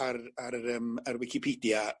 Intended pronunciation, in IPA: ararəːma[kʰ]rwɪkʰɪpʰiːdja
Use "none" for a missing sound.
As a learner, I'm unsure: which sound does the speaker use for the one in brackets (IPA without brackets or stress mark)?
none